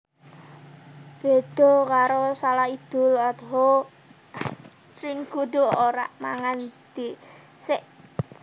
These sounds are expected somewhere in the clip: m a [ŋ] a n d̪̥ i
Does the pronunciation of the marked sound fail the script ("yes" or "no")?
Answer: no